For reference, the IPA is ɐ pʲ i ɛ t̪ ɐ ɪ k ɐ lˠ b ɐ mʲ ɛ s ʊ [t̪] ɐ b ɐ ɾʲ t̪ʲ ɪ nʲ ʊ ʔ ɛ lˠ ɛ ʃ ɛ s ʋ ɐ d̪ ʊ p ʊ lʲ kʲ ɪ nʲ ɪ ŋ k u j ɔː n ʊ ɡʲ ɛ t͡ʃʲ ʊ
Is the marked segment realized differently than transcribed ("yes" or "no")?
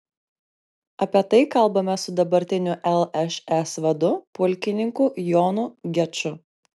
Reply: yes